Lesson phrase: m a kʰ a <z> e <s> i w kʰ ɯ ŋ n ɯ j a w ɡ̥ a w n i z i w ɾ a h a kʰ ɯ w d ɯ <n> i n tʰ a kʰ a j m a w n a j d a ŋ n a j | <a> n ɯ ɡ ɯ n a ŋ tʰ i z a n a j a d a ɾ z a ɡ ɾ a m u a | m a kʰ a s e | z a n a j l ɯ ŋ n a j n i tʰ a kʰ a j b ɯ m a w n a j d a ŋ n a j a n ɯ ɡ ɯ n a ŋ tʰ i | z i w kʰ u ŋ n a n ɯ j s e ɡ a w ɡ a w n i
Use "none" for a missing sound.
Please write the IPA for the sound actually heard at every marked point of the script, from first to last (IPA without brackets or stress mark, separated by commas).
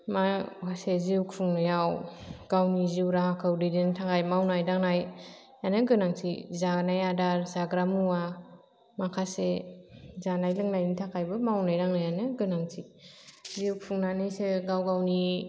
s, z, d, a